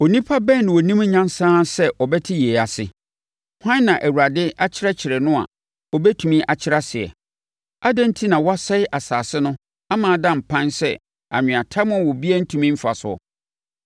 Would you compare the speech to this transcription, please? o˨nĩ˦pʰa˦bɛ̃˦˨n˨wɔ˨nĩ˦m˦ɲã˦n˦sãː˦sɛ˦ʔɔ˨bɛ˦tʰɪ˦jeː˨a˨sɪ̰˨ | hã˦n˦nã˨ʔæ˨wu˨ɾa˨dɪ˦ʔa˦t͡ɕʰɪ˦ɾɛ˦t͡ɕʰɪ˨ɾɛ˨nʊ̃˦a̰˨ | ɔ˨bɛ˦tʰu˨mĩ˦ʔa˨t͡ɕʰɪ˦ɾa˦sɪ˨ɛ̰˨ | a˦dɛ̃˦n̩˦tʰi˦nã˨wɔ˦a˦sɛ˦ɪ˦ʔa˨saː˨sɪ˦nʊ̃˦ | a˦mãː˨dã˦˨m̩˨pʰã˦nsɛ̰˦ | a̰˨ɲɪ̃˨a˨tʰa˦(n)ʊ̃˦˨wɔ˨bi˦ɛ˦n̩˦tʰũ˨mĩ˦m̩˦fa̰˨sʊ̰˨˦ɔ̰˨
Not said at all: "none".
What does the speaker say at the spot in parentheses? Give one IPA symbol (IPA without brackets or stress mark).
m